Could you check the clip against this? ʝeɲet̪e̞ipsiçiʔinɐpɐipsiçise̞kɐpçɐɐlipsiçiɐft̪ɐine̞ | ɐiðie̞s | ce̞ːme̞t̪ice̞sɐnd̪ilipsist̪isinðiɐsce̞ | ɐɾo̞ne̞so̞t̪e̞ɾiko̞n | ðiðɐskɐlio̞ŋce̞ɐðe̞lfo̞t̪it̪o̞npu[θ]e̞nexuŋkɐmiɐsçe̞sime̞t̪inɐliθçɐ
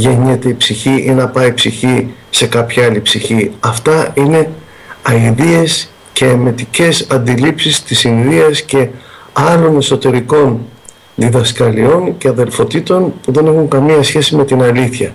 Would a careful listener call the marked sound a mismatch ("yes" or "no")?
yes